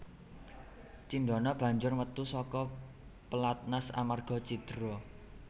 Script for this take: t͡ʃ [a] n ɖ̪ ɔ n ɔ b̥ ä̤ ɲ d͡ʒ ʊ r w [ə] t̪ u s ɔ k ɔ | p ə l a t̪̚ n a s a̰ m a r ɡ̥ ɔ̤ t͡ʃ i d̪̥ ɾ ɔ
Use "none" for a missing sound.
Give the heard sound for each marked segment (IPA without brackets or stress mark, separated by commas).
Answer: i, ə